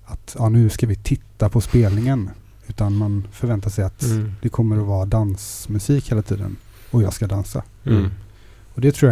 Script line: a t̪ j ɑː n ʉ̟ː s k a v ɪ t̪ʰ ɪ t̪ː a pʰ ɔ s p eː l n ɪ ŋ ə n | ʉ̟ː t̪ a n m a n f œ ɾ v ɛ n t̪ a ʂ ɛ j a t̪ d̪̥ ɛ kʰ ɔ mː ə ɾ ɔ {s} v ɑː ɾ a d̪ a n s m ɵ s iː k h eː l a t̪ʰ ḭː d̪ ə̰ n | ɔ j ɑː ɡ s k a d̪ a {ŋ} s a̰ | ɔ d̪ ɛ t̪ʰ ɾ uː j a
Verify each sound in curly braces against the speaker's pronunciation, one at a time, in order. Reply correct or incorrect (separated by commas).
incorrect, incorrect